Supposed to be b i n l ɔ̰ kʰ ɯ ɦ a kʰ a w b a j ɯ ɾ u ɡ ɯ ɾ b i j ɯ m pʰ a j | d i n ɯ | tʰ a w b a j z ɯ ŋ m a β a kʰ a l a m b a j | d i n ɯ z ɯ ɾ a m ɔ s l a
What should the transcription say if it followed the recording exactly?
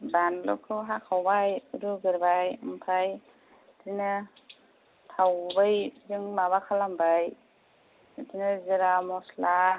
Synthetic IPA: b a n l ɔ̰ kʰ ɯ ɦ a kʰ a w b a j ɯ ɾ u ɡ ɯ ɾ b a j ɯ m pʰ a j | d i n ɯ | tʰ a w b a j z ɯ ŋ m a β a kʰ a l a m b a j | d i n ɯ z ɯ ɾ a m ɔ s l a